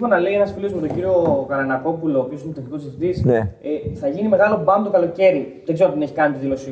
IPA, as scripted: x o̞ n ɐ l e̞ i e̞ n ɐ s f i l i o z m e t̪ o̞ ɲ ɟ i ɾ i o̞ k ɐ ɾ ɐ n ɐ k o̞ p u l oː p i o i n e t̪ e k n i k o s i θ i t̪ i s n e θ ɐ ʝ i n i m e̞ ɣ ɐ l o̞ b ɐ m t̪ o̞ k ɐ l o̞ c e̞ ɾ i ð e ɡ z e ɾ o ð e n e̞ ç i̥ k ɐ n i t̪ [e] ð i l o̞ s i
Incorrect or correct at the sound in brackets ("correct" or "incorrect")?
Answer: incorrect